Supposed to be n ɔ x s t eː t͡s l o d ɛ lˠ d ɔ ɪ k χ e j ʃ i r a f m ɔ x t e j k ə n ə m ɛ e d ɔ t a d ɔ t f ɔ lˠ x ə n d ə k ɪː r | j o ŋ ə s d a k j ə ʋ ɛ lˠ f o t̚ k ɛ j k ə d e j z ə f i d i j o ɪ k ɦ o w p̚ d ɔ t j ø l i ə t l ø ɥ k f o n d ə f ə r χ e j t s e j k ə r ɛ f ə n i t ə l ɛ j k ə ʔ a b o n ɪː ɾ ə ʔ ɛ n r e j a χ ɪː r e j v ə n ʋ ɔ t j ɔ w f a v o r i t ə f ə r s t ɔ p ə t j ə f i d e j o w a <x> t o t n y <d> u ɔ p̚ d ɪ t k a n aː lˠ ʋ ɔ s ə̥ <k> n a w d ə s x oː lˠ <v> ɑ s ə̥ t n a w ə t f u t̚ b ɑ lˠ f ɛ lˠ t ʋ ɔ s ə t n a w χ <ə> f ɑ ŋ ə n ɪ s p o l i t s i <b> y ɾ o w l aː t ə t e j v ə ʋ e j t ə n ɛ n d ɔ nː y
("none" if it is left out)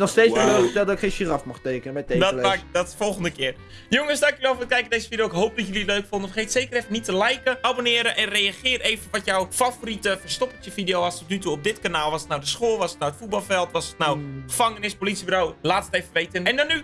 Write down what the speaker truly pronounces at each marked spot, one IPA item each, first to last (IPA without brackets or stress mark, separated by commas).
s, t, t, ʋ, ə, b